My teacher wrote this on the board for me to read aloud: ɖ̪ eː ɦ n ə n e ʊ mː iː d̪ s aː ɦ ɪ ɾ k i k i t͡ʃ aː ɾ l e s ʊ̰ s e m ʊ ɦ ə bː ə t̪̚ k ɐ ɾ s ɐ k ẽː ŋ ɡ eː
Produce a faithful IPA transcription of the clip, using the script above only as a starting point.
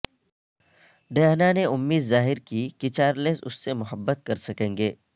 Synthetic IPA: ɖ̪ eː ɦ n a n e ʊ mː iː d̪ z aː ɦ ɪ ɾ k i k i t͡ʃ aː ɾ l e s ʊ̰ sː e m ʊ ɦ ə bː ə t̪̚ k ɐ ɾ s ɐ k ẽː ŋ ɡ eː